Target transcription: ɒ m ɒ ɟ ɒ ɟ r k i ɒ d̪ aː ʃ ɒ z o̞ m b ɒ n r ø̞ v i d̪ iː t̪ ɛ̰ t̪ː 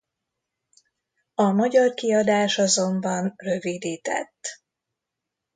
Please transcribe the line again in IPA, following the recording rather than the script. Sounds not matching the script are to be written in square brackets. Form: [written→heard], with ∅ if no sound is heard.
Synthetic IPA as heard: ɒ m ɒ ɟ ɒ [ɟ→∅] r k i ɒ d̪ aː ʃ ɒ z o̞ m b ɒ n r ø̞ v i d̪ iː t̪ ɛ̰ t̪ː